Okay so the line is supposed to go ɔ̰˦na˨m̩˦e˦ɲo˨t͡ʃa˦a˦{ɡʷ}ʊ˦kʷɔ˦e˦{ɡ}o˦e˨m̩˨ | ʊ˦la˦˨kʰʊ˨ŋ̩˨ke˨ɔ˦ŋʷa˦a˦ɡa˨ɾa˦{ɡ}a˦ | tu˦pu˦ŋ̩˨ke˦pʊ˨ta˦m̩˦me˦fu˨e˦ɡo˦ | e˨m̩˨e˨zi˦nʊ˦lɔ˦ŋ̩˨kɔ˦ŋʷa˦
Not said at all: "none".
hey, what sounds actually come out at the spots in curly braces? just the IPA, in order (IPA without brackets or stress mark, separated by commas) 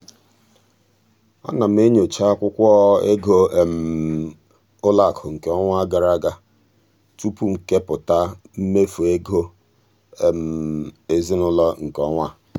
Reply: kʷ, ɡ, ɡ